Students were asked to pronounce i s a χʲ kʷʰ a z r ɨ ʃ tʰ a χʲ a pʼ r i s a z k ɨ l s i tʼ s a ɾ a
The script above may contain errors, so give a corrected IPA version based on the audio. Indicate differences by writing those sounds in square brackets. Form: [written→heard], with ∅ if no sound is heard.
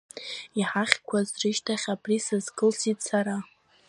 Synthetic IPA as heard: i [s→ħ] a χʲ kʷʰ a z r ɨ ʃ tʰ a χʲ a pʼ r i s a z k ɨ l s i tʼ s a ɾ a